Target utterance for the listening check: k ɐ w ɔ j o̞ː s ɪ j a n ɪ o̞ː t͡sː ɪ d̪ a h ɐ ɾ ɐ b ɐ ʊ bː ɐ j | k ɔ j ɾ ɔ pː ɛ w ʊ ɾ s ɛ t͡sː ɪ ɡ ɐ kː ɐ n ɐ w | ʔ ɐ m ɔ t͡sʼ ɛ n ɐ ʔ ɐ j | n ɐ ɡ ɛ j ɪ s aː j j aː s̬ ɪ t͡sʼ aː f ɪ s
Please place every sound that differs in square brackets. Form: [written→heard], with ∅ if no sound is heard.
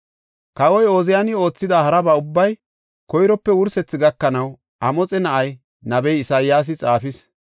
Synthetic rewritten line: k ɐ w ɔ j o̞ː [s→z] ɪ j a n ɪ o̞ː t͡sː ɪ d̪ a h ɐ ɾ ɐ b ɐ ʊ bː ɐ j | k ɔ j ɾ ɔ pː ɛ w ʊ ɾ s ɛ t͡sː ɪ ɡ ɐ kː ɐ n ɐ w | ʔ ɐ m ɔ t͡sʼ ɛ n ɐ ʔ ɐ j | n ɐ [ɡ→b] ɛ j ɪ s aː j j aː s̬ ɪ t͡sʼ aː f ɪ s